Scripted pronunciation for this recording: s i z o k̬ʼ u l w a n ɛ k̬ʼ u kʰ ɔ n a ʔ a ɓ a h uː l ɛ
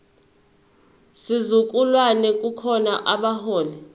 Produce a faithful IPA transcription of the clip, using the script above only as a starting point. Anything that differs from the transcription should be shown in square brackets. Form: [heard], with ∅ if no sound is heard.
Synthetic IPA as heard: s i z [u] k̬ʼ u l w a n ɛ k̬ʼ u kʰ ɔ n a ʔ a ɓ a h [ɔː] l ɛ